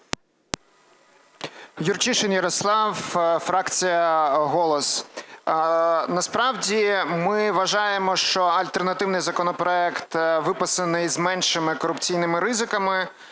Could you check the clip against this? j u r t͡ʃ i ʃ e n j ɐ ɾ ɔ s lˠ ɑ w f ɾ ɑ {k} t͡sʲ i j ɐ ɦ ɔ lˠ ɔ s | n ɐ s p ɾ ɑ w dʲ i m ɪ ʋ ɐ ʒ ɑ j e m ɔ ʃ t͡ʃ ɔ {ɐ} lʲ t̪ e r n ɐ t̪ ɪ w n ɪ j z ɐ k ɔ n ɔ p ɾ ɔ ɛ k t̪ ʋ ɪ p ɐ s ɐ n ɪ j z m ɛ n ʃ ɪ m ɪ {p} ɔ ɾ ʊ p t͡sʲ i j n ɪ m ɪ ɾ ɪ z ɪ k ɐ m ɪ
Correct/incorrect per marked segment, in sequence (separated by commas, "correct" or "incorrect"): correct, correct, incorrect